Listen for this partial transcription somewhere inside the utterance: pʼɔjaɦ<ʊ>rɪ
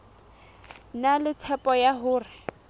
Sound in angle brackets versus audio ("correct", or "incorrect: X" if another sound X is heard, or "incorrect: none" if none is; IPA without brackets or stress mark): incorrect: ʊː